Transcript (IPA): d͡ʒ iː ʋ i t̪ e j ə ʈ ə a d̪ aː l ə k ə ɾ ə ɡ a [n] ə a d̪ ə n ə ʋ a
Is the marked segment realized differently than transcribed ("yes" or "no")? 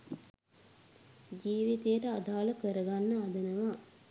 yes